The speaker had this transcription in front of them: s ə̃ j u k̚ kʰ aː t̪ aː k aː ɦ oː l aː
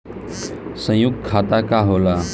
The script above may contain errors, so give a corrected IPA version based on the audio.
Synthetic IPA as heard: s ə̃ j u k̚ kʰ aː t̪ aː k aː ɦ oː l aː